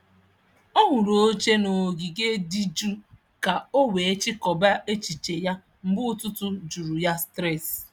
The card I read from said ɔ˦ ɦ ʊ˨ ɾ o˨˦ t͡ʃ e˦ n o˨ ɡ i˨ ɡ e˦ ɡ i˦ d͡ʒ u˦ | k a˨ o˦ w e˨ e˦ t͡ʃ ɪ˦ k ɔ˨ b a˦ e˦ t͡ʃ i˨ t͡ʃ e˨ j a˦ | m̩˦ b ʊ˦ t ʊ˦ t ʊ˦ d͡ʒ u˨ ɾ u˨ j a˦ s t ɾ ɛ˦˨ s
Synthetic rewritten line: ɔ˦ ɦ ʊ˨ ɾ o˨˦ t͡ʃ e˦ n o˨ ɡ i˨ ɡ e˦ d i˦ d͡ʒ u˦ | k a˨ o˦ w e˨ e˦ t͡ʃ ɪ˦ k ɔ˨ b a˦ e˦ t͡ʃ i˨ t͡ʃ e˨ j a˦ | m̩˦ b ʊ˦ t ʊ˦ t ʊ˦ d͡ʒ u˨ ɾ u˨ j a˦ s t ɾ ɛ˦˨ s